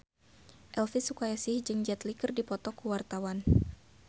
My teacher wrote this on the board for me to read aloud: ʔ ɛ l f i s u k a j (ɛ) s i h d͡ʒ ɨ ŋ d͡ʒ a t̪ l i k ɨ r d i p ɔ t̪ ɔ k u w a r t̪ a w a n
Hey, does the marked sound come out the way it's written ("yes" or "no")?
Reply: no